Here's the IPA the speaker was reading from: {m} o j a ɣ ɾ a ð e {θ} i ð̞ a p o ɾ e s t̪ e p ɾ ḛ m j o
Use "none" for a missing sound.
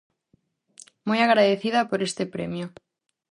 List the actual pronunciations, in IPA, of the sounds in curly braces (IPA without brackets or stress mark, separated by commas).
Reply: m, θ